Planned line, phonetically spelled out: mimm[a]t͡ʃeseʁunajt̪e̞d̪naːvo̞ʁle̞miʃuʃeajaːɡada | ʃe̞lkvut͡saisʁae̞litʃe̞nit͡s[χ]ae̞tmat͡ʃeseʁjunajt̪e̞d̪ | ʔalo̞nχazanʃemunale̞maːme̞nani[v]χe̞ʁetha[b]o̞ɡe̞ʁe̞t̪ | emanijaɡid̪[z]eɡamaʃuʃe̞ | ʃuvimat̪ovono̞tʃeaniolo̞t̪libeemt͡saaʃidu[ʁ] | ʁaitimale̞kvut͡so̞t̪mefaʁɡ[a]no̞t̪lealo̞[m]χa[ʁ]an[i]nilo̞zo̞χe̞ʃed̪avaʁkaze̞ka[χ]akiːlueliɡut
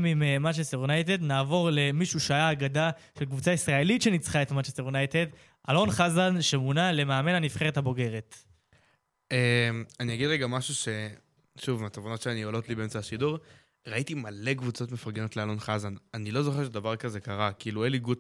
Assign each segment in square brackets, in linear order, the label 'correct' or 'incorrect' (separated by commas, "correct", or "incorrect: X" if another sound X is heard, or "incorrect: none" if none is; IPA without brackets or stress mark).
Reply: correct, correct, incorrect: f, correct, incorrect: ʁ, correct, incorrect: e, incorrect: n, incorrect: z, incorrect: a, incorrect: ʁ